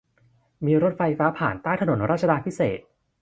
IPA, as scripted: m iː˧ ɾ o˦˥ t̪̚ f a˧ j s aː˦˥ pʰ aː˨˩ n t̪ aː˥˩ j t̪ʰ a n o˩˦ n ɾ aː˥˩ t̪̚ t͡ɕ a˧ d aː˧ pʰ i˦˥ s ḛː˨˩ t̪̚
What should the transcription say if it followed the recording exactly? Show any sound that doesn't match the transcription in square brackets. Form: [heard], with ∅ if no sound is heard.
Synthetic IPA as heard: m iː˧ ɾ o˦˥ t̪̚ f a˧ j [f] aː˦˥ pʰ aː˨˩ n t̪ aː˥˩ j t̪ʰ a n o˩˦ n ɾ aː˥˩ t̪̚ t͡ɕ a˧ d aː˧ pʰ i˦˥ s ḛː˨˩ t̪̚